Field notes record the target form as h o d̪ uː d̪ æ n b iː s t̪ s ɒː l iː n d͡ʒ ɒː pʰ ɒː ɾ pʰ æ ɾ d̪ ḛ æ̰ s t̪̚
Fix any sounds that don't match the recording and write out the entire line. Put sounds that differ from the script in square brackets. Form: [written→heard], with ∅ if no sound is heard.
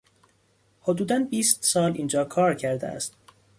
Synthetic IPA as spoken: h o d̪ uː d̪ æ n b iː s t̪ s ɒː l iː n d͡ʒ ɒː [pʰ→kʰ] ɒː ɾ [pʰ→cʰ] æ ɾ d̪ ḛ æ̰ s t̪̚